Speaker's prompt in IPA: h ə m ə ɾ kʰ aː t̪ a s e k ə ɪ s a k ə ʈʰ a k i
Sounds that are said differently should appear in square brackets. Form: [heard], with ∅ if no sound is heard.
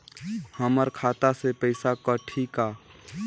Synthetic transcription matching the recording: h ə m ə ɾ kʰ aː t̪ a s e [p] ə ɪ s a k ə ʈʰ [i] k [a]